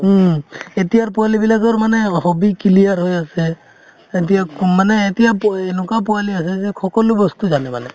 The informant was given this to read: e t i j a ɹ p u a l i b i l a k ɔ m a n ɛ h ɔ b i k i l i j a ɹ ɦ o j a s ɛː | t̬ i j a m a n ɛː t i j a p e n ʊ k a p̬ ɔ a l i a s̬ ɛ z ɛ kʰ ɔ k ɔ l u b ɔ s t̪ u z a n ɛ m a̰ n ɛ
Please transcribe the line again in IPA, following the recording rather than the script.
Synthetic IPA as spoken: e t i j a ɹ p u a l i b i l a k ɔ m a n ɛ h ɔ b i k i l i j a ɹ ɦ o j a s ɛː | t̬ i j a m a n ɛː t i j a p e n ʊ k a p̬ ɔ a l i a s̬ ɛ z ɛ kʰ ɔ k ɔ l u b ɔ s t̪ u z a n ɛ m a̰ n ɛ